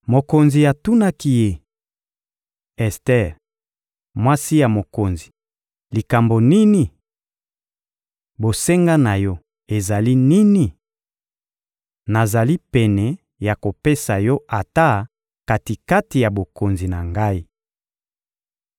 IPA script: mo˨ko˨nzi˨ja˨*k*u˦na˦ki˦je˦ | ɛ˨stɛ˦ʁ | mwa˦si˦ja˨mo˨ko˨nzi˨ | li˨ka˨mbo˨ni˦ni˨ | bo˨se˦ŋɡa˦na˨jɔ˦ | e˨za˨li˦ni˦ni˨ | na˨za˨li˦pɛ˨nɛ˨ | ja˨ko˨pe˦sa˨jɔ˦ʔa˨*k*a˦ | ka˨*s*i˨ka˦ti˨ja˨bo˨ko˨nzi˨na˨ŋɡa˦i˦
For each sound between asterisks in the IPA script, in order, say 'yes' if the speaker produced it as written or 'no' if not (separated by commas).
no, no, no